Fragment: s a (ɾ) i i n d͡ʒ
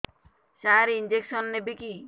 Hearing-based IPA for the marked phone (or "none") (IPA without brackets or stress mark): ɾ